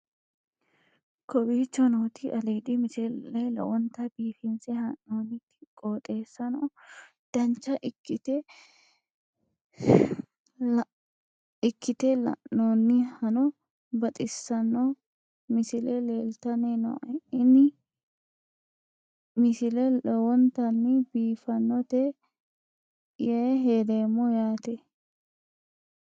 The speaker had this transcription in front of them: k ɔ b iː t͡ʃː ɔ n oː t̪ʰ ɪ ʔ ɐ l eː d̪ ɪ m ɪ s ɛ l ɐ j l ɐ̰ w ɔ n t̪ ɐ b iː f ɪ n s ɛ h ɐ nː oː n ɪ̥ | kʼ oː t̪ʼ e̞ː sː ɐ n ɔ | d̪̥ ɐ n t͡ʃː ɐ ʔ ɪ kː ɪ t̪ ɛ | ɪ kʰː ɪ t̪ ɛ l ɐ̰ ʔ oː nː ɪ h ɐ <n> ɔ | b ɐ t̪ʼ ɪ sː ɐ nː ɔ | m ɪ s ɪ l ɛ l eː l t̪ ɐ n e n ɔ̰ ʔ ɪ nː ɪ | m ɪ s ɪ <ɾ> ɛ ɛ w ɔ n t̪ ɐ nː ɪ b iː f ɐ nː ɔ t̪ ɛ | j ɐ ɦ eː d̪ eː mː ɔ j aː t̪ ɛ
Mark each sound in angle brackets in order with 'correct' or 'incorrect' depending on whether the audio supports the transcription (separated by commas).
correct, incorrect